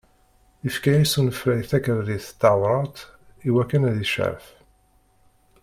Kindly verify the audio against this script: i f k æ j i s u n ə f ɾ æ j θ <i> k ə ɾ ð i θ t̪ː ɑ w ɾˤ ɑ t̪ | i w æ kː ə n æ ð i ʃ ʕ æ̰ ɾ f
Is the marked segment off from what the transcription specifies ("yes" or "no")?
yes